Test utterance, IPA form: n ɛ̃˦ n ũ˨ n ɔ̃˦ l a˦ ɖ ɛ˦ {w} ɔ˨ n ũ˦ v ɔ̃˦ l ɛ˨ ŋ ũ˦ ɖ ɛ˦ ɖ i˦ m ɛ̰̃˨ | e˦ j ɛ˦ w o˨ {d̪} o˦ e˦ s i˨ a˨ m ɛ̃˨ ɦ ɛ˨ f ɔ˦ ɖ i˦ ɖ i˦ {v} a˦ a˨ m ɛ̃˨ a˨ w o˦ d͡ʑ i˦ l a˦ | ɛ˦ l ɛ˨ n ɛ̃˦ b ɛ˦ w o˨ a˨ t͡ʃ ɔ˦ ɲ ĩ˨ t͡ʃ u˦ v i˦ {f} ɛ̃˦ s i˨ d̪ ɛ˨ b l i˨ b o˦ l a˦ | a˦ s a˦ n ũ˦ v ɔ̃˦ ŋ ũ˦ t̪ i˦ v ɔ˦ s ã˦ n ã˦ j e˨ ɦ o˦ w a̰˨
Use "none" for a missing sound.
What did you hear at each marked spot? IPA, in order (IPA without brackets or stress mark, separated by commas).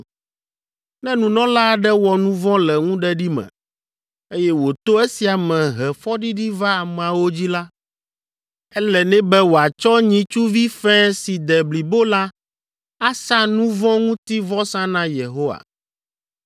w, t̪, v, f